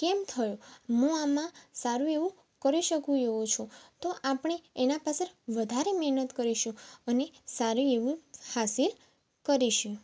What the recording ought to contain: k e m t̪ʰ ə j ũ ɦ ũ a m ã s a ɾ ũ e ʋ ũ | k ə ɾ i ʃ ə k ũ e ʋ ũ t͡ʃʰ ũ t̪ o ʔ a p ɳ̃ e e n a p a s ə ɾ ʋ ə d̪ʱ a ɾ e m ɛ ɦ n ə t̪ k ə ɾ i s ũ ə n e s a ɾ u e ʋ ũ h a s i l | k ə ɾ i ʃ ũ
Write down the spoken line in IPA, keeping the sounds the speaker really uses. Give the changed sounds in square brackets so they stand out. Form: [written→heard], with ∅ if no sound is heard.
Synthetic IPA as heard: k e m t̪ʰ ə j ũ ɦ ũ a m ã s a ɾ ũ e ʋ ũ | k ə ɾ i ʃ ə k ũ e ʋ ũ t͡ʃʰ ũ t̪ o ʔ a p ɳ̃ e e n a p a s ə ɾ ʋ ə d̪ʱ a ɾ e m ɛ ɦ n ə t̪ k ə ɾ i [s→ʃ] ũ ə n e s a ɾ u e ʋ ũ h a s i l | k ə ɾ i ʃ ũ